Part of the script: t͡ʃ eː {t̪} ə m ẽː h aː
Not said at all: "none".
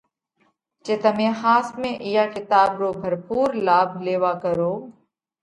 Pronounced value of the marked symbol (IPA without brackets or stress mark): t̪